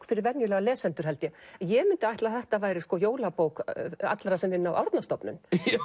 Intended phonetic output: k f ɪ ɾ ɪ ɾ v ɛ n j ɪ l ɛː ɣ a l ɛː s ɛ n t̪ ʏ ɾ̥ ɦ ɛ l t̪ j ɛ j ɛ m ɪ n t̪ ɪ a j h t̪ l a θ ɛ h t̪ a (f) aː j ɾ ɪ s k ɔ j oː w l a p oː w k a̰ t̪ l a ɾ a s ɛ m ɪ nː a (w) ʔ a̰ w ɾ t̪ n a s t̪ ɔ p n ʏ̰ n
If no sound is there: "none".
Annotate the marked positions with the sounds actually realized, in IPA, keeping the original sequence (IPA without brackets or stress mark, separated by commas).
v, w